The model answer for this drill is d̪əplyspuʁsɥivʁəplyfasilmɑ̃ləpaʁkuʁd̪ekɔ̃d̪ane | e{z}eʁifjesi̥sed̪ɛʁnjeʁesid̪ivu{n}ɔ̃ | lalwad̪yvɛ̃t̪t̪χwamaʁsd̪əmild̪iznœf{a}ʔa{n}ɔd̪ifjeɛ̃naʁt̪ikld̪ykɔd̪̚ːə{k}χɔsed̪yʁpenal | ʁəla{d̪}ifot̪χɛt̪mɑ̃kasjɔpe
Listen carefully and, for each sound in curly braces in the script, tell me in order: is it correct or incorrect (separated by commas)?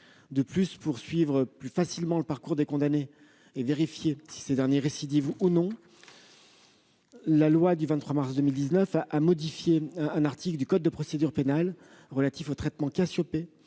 incorrect, correct, correct, incorrect, incorrect, incorrect